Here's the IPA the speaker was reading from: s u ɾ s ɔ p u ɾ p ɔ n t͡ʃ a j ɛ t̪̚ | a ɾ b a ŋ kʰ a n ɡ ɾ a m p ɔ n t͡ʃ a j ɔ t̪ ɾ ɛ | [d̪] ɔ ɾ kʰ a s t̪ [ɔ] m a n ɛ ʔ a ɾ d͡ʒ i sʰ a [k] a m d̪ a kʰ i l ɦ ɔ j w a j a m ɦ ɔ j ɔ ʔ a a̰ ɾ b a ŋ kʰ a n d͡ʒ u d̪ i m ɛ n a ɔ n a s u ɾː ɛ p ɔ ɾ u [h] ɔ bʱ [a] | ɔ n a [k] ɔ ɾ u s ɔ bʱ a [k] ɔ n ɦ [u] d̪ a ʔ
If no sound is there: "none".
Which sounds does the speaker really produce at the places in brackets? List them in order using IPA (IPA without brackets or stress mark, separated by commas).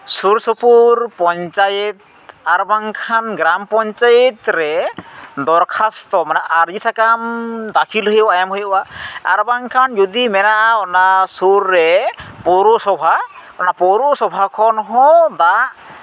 d̪, ɔ, k, s, a, p, kʰ, ɔ